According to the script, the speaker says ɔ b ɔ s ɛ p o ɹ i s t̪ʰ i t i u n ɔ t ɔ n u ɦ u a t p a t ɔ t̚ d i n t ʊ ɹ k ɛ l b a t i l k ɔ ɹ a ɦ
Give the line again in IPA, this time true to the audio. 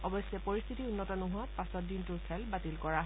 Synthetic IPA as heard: ɔ b ɔ s ɛ p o ɹ i s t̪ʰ i t i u nː ɔ t ɔ n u ɦ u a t p a s ɔ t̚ d i n t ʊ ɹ kʰ ɛ l b a t i l k ɔ ɹ a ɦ